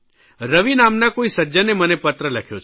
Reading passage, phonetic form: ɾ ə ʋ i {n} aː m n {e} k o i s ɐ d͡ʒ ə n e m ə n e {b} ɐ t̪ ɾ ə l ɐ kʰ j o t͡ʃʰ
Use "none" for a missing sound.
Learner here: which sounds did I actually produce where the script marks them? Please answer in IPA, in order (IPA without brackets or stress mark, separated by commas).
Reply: n, a, p